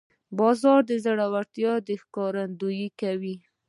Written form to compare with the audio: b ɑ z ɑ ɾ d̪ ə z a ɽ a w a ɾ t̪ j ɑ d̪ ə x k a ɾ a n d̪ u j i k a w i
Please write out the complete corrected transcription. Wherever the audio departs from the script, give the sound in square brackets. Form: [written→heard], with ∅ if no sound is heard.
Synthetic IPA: b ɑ z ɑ ɾ d̪ ə z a ɽ a w a ɾ t̪ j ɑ d̪ ə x k [a→ɑ] ɾ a n d̪ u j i k a w i